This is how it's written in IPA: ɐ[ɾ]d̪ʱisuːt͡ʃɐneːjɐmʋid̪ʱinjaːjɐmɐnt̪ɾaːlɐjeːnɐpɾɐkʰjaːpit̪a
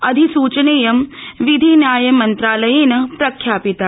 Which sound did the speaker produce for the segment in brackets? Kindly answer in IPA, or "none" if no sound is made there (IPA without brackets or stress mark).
none